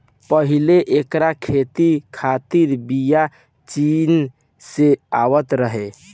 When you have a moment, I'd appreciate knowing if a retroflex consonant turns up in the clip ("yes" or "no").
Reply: no